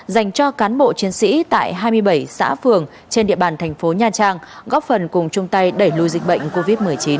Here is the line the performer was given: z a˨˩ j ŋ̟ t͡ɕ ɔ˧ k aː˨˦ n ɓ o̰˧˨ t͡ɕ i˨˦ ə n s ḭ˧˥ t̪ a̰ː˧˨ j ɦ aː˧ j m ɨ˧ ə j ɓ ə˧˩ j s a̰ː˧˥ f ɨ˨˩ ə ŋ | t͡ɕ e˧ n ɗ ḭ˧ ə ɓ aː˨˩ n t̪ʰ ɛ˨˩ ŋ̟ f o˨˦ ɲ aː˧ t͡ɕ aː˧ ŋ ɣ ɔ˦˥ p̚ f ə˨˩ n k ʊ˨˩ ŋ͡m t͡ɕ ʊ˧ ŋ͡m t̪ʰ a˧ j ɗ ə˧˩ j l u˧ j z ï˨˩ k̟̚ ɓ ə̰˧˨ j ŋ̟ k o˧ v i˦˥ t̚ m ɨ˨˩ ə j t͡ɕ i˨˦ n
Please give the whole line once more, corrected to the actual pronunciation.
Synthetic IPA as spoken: z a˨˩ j ŋ̟ t͡ɕ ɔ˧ k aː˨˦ n ɓ o̰˧˨ t͡ɕ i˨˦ ə n s ḭ˧˥ t̪ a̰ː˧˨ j ɦ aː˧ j m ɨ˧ ə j ɓ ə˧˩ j s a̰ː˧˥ f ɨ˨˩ ə ŋ | t͡ɕ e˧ n ɗ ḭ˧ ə ɓ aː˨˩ n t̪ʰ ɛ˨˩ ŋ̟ f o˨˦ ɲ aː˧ t͡ɕ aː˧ ŋ ɣ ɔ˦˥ p̚ f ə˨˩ n k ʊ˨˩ ŋ͡m t͡ɕ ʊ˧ ŋ͡m t̪ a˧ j ɗ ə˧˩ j l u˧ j z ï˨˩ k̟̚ ɓ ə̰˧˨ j ŋ̟ k o˧ v i˦˥ t̚ m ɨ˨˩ ə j t͡ɕ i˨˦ n